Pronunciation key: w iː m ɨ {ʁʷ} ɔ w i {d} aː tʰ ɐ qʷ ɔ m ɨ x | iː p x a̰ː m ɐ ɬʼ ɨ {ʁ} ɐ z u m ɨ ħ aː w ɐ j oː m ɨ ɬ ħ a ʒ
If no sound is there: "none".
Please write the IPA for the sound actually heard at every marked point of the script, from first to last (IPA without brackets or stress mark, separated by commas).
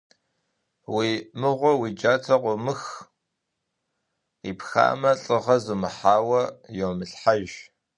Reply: ʁʷ, d͡ʒ, ʁ